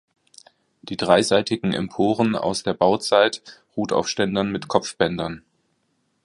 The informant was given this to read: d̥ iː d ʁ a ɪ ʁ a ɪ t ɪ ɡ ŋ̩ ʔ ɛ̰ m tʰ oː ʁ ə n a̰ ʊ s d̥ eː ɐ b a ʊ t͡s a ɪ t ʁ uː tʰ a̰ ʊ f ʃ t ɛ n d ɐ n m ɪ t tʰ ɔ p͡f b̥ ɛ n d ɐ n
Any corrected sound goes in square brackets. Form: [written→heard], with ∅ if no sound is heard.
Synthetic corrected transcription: d̥ iː d ʁ a ɪ [ʁ→z] a ɪ t ɪ ɡ ŋ̩ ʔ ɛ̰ m [tʰ→pʰ] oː ʁ ə n a̰ ʊ s d̥ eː ɐ b a ʊ t͡s a ɪ t ʁ uː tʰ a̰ ʊ f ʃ t ɛ n d ɐ n m ɪ t [tʰ→kʰ] ɔ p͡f b̥ ɛ n d ɐ n